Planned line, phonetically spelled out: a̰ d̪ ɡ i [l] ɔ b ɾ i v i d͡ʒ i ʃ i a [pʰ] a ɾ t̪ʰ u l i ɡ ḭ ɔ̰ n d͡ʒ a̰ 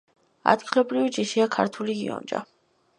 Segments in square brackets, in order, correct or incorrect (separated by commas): correct, incorrect